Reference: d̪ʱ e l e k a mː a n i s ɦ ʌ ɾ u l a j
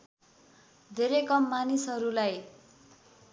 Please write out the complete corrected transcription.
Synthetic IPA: d̪ʱ e ɾ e k ʌ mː a n i s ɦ ʌ ɾ u l a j